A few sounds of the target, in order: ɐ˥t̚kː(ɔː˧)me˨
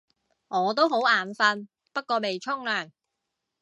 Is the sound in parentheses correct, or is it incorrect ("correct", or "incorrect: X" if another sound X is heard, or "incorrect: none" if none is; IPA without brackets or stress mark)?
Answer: correct